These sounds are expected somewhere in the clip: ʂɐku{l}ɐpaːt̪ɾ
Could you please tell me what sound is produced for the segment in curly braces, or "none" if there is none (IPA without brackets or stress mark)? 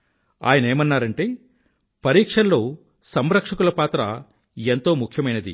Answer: l